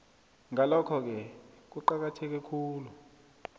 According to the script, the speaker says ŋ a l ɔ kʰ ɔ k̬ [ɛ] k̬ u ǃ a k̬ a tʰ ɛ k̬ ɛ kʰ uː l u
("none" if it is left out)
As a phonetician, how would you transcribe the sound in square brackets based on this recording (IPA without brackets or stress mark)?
ɛ